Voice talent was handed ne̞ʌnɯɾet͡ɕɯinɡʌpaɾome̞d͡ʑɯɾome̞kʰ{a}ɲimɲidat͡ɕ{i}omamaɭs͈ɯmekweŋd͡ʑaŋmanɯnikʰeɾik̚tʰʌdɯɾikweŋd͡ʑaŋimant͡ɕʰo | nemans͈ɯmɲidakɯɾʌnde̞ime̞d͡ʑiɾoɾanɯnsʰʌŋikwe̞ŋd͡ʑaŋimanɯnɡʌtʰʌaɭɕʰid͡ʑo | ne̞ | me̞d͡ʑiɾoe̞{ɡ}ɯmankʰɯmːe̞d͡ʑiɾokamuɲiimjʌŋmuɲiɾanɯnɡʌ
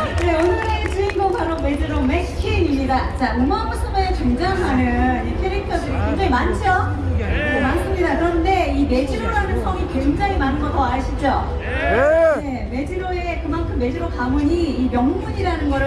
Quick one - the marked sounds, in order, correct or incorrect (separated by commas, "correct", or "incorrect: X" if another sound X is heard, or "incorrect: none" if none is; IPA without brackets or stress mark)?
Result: incorrect: i, incorrect: a, incorrect: k